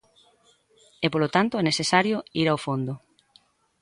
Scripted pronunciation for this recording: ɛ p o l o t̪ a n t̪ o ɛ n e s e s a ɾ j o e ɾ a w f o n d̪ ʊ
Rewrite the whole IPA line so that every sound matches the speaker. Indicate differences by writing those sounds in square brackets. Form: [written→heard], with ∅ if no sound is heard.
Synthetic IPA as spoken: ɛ p o l o t̪ a n t̪ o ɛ n e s e s a ɾ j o [e→i] ɾ a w f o n d̪ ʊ